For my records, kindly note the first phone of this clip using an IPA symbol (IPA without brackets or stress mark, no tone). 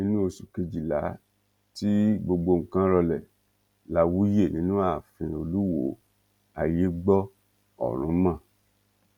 n